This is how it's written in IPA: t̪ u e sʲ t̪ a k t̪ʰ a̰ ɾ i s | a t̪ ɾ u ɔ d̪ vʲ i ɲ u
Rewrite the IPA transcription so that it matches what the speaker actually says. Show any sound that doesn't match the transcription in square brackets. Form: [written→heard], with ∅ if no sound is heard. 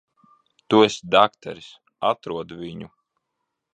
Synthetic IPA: t̪ u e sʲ [t̪→d̪] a k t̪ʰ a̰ ɾ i s | a t̪ ɾ u ɔ d̪ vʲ i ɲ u